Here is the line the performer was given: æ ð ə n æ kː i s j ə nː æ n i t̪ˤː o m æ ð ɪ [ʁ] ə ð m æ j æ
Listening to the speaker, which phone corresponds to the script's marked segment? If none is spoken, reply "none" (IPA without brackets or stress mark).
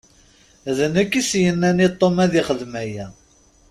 χ